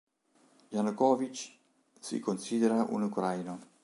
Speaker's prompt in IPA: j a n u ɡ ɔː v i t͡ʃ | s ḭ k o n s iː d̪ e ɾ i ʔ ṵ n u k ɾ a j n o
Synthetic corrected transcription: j a n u k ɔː v i t͡ʃ | s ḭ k o n s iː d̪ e ɾ a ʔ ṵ n u k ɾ a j n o